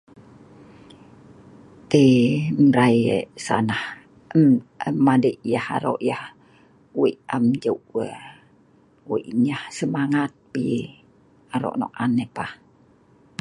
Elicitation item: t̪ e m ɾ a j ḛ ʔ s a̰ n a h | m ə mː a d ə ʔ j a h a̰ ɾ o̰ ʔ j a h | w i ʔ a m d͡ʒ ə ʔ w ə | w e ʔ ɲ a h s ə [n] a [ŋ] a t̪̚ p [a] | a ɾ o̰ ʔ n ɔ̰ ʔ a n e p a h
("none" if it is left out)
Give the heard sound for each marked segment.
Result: m, ŋ, i

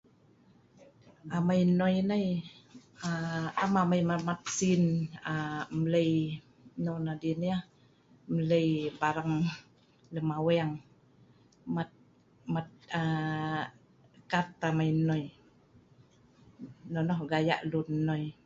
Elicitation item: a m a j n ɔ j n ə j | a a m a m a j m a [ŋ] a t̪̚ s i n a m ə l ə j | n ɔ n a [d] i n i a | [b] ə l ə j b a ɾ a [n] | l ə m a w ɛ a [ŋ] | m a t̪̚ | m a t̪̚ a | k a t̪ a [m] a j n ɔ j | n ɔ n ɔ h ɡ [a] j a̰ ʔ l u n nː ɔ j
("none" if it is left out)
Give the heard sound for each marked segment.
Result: m, d, m, ŋ, ŋ, m, a

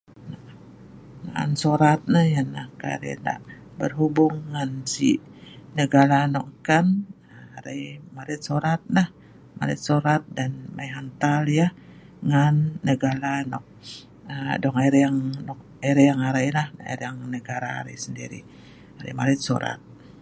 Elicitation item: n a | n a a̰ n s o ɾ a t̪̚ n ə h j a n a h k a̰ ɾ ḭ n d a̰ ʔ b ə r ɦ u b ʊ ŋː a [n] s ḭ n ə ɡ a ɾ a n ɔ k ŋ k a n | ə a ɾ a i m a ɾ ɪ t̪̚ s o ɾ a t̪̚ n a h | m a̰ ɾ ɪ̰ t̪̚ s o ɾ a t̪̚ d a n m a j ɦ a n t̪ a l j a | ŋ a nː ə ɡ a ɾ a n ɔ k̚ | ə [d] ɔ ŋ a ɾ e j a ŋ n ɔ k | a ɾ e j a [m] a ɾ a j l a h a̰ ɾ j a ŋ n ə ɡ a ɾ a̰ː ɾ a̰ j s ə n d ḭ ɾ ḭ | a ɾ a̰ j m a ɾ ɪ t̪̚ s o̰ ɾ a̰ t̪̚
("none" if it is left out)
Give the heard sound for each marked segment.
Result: n, d, ŋ

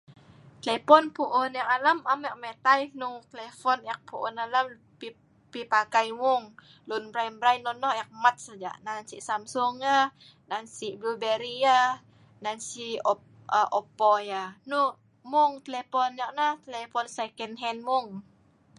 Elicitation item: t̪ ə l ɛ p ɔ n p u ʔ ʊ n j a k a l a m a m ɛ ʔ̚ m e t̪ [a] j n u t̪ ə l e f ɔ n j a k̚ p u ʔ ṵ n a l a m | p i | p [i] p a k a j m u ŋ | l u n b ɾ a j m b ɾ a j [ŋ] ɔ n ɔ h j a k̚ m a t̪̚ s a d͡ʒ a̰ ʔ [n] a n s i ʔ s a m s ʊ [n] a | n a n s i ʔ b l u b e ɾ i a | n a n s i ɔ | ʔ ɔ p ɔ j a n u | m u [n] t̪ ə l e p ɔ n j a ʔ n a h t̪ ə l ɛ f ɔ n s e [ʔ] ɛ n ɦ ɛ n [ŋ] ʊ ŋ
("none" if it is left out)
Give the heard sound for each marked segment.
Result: a, i, n, n, ŋ, ŋ, k, m

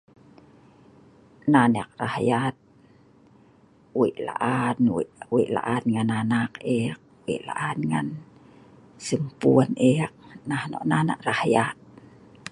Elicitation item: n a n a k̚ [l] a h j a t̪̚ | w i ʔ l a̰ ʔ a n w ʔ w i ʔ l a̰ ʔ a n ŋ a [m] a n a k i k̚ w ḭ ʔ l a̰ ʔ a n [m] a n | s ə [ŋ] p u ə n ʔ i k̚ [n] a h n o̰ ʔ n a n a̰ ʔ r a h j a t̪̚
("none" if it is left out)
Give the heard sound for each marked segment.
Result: r, n, ŋ, m, n

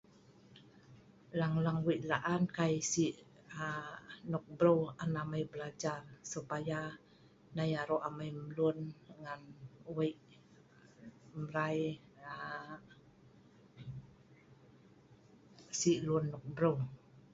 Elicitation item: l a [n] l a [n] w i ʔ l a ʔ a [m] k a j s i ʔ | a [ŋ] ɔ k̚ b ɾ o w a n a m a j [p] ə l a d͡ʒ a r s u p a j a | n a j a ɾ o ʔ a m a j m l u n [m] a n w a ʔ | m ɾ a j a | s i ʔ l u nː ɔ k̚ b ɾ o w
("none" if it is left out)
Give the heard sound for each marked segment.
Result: ŋ, ŋ, n, n, b, ŋ

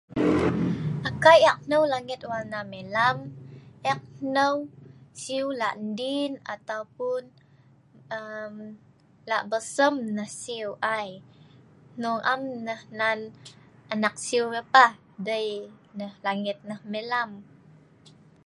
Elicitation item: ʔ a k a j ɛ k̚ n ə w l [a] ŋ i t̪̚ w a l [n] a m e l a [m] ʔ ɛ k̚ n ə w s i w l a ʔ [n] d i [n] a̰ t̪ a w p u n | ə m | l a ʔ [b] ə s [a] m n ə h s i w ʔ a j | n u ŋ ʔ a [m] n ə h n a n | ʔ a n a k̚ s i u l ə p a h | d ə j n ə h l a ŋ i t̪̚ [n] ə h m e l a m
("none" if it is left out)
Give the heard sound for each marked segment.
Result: a, n, m, n, n, b, ə, m, n

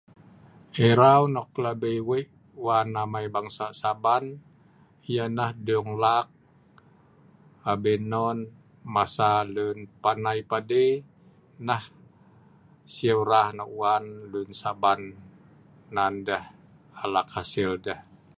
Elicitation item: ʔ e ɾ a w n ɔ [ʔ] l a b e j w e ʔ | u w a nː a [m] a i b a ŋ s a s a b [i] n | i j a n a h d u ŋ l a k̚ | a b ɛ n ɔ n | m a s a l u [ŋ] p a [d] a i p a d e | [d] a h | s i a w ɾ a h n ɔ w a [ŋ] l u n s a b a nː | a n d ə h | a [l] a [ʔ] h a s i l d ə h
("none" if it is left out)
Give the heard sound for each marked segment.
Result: k, m, a, n, n, n, n, l, k

